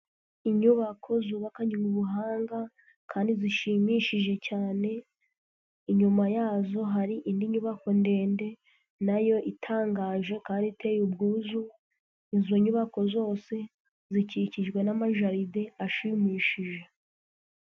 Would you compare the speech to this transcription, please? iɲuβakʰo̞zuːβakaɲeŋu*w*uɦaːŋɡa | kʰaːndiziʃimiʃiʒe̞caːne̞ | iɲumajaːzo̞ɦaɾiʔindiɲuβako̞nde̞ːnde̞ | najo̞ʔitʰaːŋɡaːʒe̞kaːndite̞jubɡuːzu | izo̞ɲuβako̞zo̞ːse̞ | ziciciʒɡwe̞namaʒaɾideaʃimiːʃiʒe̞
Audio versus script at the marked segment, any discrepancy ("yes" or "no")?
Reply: yes